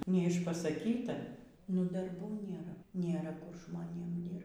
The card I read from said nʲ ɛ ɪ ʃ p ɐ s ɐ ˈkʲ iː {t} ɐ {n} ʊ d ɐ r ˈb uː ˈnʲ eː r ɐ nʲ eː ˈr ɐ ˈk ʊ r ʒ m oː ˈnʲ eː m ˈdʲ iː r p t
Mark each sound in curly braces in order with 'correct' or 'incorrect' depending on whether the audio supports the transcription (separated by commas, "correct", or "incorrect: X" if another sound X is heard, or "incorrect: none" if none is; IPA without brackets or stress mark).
correct, correct